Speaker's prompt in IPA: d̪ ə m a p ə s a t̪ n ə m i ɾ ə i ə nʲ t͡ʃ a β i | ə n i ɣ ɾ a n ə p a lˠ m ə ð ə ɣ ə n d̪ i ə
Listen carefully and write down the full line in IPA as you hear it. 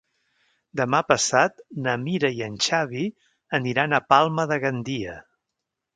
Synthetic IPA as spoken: d̪ ə m a p ə s a t̪ n ə m i ɾ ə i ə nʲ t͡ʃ a β i | ə n i ɾ a n ə p a lˠ m ə ð ə ɣ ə n d̪ i ə